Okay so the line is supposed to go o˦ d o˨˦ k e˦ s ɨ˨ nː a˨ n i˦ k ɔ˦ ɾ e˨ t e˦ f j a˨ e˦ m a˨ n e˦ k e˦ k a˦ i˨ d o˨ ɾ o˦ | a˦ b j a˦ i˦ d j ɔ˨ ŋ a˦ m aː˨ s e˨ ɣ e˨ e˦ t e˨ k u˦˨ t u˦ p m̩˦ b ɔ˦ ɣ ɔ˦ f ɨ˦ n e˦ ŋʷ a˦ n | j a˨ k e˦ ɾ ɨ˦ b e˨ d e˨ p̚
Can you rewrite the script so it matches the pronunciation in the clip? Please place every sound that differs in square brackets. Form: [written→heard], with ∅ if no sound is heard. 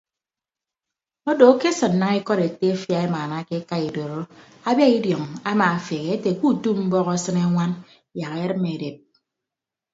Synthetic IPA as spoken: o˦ d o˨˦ k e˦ s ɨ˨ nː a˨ [n→ŋ] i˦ k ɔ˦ ɾ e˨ t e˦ f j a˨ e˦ m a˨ n [e˦→a˦] k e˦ k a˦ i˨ d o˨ ɾ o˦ | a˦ b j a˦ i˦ d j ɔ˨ ŋ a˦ m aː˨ [s→f] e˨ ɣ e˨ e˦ t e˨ k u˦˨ t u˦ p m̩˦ b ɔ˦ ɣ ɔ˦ [f→s] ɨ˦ n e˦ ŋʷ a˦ n | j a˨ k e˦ ɾ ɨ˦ [b→m] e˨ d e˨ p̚